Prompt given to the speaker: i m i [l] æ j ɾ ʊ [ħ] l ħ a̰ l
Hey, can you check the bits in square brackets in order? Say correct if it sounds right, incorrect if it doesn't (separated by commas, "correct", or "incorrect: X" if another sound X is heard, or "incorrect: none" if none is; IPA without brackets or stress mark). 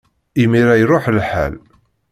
incorrect: ɾ, correct